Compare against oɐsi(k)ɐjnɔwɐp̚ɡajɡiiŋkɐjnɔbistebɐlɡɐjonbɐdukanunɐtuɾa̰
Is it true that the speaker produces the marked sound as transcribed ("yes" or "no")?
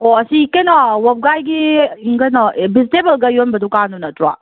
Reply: yes